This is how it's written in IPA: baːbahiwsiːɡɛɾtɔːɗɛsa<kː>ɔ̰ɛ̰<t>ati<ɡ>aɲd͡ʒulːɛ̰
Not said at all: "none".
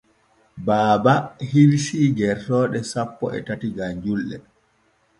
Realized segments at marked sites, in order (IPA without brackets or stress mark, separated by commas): pː, t, ɡ